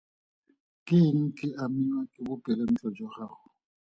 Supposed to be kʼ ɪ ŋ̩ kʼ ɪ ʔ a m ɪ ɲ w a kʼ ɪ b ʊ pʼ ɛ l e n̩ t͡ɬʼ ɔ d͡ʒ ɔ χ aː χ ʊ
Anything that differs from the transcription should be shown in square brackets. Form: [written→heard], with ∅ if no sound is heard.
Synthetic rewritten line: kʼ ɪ ŋ̩ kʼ ɪ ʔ a m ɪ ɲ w a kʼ ɪ b ʊ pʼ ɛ l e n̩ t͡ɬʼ ɔ d͡ʒ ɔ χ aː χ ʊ